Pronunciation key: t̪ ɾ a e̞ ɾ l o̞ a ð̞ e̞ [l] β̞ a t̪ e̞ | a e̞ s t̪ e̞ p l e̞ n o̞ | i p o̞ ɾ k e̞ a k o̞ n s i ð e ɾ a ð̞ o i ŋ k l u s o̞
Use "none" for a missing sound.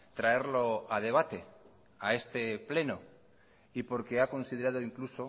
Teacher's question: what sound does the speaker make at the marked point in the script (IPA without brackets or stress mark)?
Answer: none